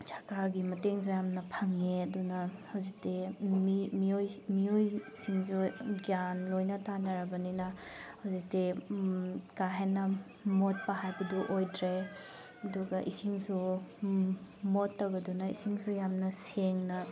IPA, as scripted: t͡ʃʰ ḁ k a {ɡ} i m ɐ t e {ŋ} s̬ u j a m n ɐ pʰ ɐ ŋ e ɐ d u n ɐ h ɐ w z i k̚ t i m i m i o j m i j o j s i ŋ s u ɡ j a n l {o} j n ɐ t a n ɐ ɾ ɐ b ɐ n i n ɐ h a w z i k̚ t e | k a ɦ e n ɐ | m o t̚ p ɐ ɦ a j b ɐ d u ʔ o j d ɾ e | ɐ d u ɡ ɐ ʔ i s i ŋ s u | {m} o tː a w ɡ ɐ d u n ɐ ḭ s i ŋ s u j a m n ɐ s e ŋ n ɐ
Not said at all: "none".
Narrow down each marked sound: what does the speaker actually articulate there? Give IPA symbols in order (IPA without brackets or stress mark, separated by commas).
ɡ, ŋ, o, m